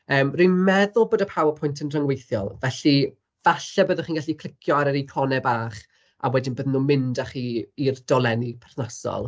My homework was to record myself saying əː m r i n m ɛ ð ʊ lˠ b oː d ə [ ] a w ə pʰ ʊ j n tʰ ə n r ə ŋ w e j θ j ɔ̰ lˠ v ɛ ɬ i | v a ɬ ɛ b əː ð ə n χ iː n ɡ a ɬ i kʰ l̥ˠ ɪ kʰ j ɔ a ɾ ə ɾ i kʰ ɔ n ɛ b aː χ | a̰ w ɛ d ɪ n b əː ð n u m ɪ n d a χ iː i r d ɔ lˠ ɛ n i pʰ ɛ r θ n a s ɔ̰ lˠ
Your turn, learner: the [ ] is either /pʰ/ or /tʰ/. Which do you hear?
pʰ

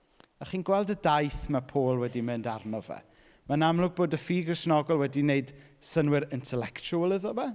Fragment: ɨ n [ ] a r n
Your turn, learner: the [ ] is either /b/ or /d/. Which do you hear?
d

